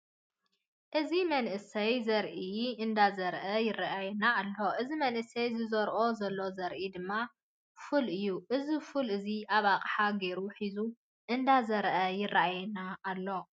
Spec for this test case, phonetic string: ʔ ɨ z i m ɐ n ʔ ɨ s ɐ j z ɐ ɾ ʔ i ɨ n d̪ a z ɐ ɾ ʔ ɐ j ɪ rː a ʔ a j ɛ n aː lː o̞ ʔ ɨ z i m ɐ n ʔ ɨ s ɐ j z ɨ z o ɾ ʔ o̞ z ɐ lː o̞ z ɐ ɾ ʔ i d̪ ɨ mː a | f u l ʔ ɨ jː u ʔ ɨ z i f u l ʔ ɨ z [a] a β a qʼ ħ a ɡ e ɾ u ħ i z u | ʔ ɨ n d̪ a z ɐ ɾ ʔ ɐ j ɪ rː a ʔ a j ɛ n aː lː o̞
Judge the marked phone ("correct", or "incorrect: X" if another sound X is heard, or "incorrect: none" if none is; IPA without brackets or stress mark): incorrect: i